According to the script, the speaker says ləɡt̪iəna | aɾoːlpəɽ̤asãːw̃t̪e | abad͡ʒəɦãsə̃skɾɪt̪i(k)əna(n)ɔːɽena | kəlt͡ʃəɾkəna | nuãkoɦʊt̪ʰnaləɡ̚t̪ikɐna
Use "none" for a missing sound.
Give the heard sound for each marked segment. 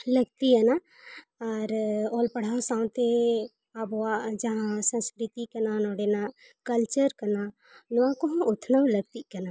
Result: k, n

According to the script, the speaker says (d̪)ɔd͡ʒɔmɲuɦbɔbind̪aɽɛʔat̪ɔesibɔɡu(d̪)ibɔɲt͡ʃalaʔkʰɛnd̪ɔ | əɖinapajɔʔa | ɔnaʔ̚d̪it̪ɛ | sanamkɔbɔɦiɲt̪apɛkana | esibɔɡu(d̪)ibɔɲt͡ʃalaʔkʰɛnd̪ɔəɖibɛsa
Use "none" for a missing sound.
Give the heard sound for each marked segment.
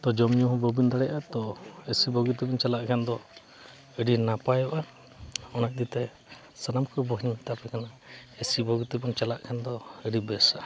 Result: t̪, t̪, t̪

